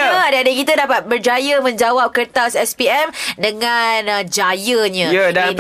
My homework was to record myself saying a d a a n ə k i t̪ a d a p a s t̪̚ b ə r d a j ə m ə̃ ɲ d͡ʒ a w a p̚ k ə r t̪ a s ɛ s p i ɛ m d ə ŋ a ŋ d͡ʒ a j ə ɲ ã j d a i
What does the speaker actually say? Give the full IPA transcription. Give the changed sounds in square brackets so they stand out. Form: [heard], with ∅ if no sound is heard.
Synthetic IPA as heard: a d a a [d] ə k i t̪ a d a p a [∅] t̪̚ b ə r [d͡ʒ] a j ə m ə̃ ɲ d͡ʒ a w a p̚ k ə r t̪ a s ɛ s p i ɛ m d ə ŋ a [n] d͡ʒ a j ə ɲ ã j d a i